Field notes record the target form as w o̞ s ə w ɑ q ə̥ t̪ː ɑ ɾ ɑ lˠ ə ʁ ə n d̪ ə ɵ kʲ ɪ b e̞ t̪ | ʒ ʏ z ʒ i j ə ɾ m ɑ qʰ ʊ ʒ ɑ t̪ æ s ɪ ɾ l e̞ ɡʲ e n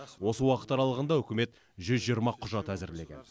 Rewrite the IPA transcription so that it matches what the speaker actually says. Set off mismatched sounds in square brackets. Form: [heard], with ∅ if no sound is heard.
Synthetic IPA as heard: w o̞ s ə w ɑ q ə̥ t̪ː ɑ ɾ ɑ lˠ ə ʁ ə n d̪ [ɑ] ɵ kʲ ɪ [m] e̞ t̪ | ʒ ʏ z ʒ i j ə ɾ m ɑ qʰ ʊ ʒ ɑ t̪ æ [z] ɪ ɾ l e̞ ɡʲ e n